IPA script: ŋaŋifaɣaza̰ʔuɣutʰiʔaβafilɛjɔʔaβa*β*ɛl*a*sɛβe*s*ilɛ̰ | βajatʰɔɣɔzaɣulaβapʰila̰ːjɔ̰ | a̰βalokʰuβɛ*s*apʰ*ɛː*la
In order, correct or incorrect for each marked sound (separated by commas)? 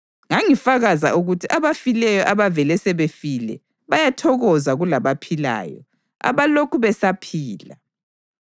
incorrect, incorrect, incorrect, correct, incorrect